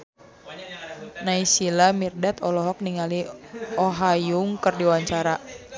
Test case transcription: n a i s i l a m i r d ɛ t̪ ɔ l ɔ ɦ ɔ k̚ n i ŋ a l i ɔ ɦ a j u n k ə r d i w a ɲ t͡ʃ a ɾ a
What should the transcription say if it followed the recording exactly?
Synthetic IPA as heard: n a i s i l a m i r d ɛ t̪ ɔ l ɔ ɦ ɔ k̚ n i ŋ a l i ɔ ɦ a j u ŋ k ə r d i w a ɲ t͡ʃ a ɾ a